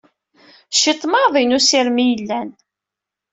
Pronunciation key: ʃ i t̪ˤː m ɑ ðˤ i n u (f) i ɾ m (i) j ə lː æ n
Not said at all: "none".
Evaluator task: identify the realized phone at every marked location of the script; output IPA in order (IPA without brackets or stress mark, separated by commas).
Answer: s, i